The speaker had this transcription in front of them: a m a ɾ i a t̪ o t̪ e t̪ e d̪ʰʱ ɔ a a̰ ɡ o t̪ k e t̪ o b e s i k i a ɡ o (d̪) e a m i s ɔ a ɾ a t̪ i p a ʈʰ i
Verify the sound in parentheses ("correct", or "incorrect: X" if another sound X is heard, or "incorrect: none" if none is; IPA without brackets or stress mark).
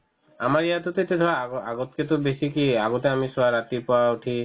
incorrect: t̪